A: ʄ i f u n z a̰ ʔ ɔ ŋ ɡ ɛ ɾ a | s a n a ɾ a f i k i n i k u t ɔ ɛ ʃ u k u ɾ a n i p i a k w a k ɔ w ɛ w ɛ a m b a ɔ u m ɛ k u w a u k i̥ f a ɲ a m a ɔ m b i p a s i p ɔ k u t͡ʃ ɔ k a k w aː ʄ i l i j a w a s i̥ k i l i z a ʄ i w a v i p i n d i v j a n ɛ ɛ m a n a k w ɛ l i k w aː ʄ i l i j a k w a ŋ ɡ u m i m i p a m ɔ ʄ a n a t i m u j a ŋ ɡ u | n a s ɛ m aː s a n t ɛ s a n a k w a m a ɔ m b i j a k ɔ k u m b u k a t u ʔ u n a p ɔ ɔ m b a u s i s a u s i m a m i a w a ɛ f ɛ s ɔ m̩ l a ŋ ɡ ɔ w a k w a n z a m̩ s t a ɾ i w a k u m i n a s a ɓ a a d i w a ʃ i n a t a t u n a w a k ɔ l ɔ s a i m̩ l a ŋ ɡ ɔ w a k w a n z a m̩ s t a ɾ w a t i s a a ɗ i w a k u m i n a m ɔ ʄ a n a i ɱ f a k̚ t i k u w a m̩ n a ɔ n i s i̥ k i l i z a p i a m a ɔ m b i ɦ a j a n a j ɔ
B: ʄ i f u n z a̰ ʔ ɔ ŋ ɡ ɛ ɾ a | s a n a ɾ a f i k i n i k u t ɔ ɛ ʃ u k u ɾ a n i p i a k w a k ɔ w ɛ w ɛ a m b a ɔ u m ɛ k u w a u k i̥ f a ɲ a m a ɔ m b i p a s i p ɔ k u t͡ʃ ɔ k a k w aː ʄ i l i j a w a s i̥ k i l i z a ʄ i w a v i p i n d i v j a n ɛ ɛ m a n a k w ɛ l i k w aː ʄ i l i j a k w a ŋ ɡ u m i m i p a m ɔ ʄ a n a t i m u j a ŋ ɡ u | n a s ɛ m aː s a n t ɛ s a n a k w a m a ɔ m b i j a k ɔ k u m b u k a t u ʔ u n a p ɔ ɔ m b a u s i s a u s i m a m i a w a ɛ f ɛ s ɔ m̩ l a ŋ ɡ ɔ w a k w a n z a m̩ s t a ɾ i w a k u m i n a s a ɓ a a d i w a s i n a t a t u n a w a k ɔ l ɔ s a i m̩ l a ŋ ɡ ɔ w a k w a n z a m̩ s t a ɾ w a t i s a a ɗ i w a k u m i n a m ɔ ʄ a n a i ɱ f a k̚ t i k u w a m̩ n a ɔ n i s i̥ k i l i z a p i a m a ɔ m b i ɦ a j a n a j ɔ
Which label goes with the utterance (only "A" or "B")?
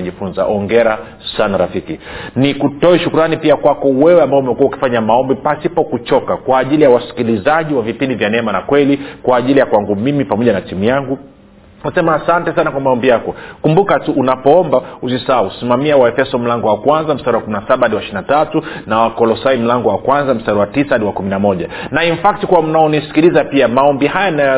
A